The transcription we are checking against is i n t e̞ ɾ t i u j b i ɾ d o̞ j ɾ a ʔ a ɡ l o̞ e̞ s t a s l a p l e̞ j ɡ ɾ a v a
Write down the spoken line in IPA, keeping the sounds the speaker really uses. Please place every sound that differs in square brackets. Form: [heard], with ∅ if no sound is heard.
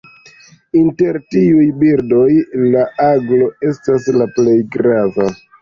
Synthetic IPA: i n t e̞ ɾ t i u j b i ɾ d o̞ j [l] a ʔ a ɡ l o̞ e̞ s t a s l a p l e̞ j ɡ ɾ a v a